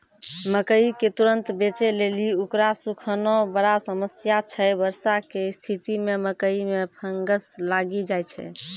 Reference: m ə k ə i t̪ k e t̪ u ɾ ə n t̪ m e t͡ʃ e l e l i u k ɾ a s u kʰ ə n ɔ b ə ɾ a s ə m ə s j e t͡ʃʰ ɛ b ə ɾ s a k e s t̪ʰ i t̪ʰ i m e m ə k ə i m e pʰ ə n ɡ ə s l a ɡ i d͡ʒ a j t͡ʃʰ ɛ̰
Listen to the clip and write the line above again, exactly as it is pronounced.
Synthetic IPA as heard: m ə k ə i k e t̪ u ɾ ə n t̪ b e t͡ʃ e l e l i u k ɾ a s u kʰ ə n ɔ b ə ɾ a s ə m ə s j a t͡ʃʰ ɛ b ə ɾ s a k e s t̪ʰ i t̪ i m e m ə k ə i m e pʰ ə ŋ ɡ ə s l a ɡ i d͡ʒ a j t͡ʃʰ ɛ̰